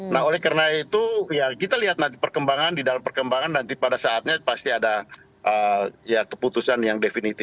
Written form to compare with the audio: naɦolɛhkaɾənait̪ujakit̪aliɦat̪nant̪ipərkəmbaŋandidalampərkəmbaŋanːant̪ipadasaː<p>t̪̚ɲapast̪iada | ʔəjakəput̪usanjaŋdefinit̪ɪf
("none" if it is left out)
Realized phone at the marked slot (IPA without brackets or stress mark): none